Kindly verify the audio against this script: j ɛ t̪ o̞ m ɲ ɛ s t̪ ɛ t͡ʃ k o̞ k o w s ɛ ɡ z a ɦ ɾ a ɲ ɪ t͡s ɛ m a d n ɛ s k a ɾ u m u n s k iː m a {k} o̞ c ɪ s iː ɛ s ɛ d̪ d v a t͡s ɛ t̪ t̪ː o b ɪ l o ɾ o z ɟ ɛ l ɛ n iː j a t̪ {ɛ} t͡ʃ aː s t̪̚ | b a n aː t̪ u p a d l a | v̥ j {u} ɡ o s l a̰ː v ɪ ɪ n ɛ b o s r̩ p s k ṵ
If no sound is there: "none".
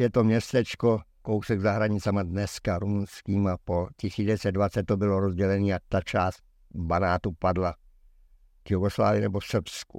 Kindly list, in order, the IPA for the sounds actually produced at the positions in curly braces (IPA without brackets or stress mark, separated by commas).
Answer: p, a, u